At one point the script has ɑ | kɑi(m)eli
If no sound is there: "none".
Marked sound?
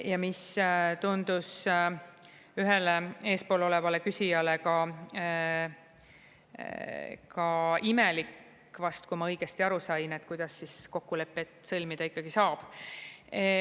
m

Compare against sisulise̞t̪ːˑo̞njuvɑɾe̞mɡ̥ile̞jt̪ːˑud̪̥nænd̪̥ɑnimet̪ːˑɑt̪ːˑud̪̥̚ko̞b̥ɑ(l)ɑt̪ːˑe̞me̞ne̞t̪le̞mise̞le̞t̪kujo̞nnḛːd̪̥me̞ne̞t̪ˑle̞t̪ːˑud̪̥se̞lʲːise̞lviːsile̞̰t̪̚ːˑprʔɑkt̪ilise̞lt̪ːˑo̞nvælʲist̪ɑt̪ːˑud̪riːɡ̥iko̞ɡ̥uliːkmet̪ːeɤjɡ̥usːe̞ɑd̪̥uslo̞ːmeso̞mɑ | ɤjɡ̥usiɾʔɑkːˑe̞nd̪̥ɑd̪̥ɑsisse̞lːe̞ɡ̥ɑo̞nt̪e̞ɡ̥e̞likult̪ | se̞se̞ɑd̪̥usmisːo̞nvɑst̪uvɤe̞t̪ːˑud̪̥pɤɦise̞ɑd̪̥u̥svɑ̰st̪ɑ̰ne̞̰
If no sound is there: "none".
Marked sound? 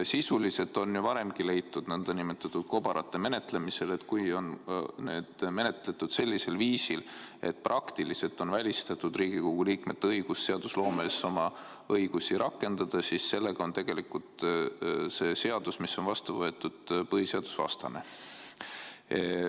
ɾ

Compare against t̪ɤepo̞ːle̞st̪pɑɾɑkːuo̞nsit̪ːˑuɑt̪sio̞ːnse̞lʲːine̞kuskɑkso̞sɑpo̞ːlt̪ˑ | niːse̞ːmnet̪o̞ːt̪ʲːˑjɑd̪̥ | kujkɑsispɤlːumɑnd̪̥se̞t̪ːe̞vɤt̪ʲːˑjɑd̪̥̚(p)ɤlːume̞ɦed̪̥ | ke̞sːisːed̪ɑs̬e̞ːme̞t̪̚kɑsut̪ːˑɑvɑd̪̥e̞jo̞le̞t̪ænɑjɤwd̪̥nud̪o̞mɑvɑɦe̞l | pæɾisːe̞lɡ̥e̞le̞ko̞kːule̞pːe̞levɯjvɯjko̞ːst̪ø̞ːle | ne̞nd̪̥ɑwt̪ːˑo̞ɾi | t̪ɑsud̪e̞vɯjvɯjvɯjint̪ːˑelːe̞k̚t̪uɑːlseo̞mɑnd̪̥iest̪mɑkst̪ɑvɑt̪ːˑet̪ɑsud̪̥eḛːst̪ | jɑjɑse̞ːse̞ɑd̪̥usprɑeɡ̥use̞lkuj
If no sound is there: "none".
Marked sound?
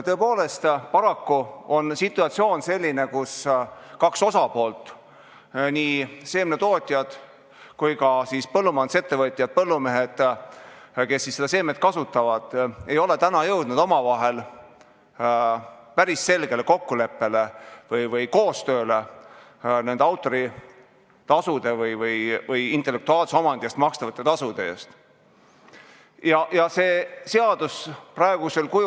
p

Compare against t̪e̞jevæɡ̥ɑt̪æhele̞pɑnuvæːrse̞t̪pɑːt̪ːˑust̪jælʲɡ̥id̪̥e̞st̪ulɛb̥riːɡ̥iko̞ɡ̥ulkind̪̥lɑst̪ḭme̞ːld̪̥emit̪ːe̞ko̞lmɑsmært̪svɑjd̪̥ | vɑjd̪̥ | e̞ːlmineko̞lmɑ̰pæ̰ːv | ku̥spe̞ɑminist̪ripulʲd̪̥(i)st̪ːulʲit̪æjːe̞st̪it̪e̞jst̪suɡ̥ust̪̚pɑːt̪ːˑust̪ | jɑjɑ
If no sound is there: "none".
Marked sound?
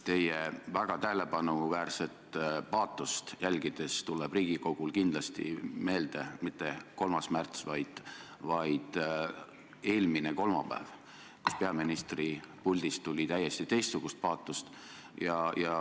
i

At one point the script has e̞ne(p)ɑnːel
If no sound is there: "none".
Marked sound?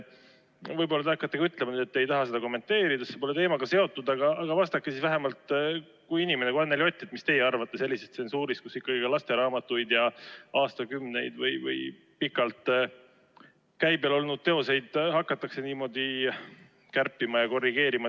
k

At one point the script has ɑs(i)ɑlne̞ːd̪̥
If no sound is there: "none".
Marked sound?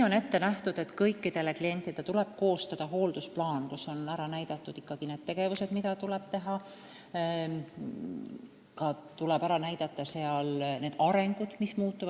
e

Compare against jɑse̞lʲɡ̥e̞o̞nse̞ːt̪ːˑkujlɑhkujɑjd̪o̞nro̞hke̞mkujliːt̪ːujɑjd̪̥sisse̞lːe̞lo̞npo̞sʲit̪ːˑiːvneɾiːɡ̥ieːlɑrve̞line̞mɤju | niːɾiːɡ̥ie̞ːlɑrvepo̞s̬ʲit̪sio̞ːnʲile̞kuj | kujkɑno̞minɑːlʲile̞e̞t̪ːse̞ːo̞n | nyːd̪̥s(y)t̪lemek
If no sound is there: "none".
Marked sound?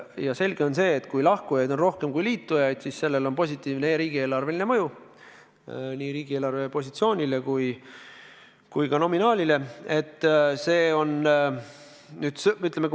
y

